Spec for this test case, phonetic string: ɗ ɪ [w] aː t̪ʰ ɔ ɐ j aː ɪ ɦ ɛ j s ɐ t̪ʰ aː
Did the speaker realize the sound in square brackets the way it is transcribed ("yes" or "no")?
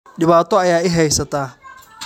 no